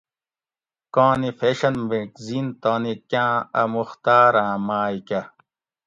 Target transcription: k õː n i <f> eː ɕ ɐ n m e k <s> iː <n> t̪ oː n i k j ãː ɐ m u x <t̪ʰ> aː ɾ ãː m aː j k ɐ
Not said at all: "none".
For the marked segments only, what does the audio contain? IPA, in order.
f, z, n, t̪

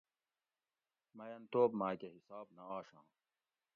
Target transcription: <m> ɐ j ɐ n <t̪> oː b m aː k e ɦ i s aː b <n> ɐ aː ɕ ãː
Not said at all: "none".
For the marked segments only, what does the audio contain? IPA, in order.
m, t̪, n

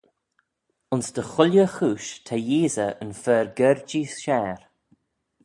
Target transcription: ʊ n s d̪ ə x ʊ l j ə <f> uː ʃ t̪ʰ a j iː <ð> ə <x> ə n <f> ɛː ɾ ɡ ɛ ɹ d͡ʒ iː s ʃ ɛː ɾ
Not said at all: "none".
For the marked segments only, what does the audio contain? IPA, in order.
x, z, none, f

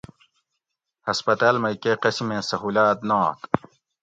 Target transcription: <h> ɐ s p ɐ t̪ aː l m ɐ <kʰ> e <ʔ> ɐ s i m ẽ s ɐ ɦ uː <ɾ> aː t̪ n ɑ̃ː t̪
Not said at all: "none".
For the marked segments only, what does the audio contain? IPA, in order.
h, k, q, l

